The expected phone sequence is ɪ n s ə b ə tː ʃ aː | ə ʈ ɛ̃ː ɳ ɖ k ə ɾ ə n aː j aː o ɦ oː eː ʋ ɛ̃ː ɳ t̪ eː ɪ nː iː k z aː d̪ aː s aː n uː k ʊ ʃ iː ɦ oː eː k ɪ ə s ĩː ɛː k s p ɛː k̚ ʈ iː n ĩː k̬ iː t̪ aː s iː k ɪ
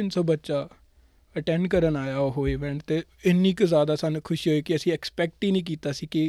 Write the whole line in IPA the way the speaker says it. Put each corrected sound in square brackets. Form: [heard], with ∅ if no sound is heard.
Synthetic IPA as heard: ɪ n s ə b ə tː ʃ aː | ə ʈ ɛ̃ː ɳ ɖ k ə ɾ ə n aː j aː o ɦ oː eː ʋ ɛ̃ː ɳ t̪ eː ɪ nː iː k z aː d̪ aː s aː n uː [kʰ] ʊ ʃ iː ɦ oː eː k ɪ ə s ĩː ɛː k s p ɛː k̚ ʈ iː n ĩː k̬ iː t̪ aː s iː k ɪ